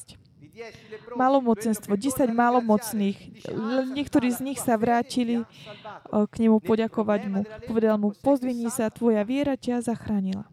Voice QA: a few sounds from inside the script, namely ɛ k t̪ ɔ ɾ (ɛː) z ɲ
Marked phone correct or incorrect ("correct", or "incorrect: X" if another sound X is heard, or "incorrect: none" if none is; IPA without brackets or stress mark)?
incorrect: iː